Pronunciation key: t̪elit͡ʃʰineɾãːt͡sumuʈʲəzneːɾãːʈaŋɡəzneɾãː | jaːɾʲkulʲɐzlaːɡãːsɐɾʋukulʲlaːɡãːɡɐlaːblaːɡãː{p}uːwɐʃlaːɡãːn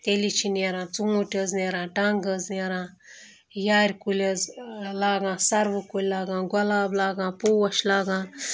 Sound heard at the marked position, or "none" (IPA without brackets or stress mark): p